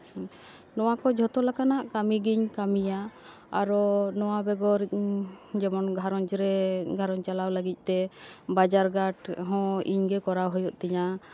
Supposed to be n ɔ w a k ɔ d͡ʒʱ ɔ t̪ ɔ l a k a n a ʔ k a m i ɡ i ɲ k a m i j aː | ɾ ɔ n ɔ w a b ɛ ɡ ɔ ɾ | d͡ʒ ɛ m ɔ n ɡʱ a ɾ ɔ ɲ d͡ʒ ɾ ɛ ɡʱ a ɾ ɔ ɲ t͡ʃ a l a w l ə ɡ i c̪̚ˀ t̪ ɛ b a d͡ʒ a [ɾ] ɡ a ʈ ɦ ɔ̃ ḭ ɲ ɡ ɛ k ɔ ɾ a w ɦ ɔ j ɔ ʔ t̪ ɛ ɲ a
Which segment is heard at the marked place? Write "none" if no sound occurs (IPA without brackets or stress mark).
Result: ɾ